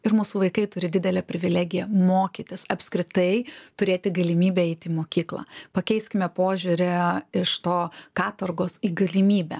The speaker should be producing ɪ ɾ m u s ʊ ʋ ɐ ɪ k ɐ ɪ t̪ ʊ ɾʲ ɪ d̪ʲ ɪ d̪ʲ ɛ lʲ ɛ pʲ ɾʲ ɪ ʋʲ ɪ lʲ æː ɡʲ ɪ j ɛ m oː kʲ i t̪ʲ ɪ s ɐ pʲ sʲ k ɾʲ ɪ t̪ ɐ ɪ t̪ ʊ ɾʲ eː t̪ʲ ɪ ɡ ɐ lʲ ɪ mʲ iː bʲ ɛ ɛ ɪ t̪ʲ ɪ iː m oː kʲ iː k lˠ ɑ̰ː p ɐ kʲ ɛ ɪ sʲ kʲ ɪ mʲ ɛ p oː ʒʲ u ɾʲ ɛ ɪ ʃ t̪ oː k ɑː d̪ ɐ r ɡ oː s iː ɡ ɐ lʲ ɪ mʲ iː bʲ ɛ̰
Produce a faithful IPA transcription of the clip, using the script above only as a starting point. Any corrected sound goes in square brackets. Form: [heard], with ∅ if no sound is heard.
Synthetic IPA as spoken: ɪ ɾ m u s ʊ ʋ ɐ ɪ k ɐ ɪ t̪ ʊ ɾʲ ɪ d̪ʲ ɪ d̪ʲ ɛ lʲ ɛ pʲ ɾʲ ɪ ʋʲ ɪ lʲ æː ɡʲ ɪ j ɛ m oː kʲ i t̪ʲ ɪ s ɐ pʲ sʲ k ɾʲ ɪ t̪ ɐ ɪ t̪ ʊ ɾʲ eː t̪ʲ ɪ ɡ ɐ lʲ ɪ mʲ iː bʲ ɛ ɛ ɪ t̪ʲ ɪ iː m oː kʲ iː k lˠ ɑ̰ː p ɐ kʲ ɛ ɪ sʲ kʲ ɪ mʲ ɛ p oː ʒʲ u ɾʲ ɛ ɪ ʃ t̪ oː k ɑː [t̪] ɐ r ɡ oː s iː ɡ ɐ lʲ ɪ mʲ iː bʲ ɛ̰